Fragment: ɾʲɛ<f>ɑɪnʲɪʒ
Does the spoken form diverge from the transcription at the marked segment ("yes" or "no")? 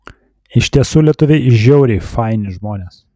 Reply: no